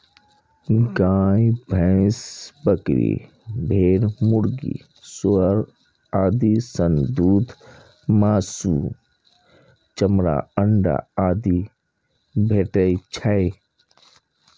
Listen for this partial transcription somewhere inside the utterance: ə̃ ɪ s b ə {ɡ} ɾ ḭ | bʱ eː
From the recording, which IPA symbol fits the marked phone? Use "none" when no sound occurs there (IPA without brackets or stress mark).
k